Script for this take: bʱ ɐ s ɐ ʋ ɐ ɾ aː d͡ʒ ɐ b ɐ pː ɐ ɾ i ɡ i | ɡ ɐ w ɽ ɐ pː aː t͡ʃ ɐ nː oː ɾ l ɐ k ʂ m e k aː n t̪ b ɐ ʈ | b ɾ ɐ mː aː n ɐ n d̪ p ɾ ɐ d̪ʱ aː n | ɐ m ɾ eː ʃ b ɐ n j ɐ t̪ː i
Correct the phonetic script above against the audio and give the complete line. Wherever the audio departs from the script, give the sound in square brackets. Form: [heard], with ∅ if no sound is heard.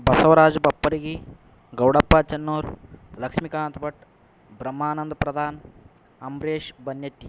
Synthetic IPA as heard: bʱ ɐ s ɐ ʋ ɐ ɾ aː d͡ʒ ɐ b ɐ pː ɐ ɾ i ɡ i | ɡ ɐ w ɽ ɐ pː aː t͡ʃ ɐ nː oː ɾ l ɐ k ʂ m [i] k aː n t̪ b ɐ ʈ | b ɾ ɐ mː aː n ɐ n d̪ p ɾ ɐ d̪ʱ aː n | ɐ m ɾ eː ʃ b ɐ n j ɐ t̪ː i